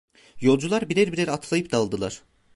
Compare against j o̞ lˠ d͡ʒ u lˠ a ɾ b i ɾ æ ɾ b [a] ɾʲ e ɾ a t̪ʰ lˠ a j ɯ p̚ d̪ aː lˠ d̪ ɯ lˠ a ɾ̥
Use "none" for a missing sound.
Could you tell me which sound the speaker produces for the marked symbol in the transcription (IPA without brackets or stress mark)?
i